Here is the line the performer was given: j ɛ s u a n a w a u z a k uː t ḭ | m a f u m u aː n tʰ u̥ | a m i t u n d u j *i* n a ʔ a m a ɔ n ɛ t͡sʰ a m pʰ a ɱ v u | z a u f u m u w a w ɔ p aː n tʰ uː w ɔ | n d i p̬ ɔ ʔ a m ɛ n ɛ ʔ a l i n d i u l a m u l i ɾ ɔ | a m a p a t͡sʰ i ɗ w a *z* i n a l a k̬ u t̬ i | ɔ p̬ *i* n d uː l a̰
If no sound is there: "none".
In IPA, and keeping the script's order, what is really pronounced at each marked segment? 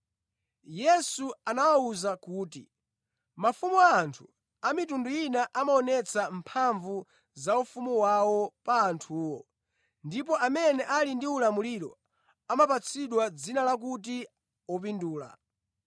i, d͡z, i

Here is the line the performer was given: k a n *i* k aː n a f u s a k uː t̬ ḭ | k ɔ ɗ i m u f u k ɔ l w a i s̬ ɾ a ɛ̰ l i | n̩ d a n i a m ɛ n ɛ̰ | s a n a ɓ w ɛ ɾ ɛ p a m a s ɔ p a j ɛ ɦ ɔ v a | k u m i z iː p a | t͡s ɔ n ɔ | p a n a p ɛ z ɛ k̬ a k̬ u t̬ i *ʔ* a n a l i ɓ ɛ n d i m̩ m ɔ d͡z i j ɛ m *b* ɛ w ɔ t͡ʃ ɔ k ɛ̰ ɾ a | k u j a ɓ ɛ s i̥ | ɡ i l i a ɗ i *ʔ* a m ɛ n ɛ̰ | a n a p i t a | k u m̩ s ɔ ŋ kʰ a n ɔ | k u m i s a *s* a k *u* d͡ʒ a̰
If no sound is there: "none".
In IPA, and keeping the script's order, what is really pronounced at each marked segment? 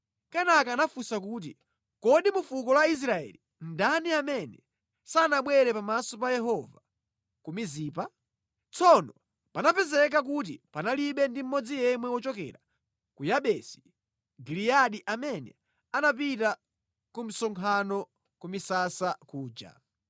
a, p, w, ʔ, s, uː

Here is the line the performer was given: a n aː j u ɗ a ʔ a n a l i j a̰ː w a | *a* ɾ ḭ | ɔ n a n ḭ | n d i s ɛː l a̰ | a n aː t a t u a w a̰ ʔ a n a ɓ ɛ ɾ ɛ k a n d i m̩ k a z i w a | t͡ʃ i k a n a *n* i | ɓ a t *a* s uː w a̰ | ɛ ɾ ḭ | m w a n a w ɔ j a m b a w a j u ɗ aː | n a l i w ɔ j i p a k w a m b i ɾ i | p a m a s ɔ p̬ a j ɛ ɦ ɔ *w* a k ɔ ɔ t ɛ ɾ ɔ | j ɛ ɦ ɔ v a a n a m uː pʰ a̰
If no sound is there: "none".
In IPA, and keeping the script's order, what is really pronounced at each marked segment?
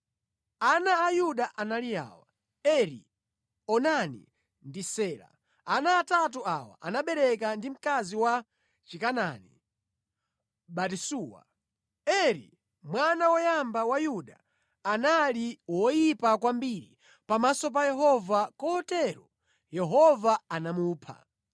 ɛ, n, i, v

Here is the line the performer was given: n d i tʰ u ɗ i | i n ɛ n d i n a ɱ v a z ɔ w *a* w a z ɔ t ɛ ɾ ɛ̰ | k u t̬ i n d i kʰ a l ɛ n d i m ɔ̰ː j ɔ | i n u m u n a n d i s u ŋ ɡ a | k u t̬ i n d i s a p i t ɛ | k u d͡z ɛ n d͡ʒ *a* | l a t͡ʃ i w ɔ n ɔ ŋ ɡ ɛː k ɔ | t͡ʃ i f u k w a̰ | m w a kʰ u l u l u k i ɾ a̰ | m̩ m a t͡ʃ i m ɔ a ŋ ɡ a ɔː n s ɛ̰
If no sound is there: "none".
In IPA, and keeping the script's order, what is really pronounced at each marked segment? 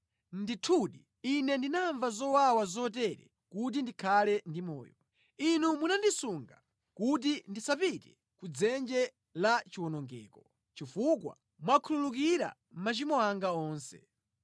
a, ɛ

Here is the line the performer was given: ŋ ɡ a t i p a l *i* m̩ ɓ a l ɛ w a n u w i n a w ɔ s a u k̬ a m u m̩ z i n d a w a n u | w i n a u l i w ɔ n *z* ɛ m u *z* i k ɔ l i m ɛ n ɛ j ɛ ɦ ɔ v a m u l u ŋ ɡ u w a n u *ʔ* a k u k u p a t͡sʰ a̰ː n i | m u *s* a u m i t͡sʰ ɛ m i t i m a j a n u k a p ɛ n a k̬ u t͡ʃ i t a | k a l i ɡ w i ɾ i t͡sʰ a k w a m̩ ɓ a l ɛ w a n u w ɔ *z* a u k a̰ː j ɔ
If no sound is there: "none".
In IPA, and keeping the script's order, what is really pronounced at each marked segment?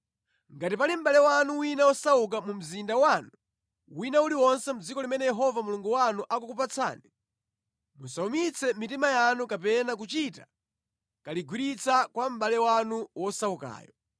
i, s, d͡z, ʔ, s, s

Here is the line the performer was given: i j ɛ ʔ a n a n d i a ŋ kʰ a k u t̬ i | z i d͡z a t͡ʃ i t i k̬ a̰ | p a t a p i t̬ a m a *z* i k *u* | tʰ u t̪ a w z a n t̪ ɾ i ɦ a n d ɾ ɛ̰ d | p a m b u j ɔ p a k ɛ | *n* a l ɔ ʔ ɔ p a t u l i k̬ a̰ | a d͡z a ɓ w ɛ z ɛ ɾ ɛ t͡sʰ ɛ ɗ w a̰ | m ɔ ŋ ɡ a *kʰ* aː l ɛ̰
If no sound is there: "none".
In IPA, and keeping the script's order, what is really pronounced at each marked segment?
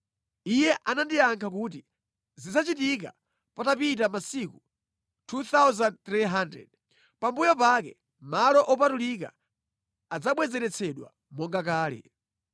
s, u, m, k

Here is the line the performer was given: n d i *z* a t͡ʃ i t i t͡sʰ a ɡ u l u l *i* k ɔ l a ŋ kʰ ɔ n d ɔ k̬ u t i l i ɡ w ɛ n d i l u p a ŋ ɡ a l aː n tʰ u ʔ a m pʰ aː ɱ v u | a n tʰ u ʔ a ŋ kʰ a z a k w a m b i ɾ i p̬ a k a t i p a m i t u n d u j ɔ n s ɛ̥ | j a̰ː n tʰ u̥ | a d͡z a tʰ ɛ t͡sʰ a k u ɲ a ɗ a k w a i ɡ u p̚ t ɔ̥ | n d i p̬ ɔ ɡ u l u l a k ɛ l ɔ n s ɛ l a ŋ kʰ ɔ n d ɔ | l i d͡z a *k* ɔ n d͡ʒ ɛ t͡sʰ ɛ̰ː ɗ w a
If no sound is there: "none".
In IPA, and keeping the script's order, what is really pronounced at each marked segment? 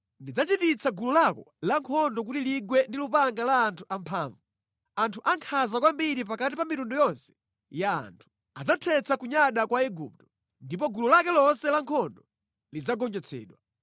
d͡z, a, ɡ

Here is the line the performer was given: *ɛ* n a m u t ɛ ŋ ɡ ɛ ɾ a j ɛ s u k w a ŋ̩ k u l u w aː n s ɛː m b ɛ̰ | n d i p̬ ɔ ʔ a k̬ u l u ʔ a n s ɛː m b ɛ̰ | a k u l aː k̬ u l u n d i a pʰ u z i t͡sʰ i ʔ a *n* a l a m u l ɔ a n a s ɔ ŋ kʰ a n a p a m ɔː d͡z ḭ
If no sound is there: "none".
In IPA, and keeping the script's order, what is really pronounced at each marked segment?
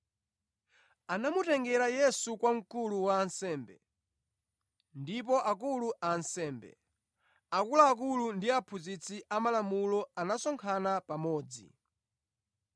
a, m

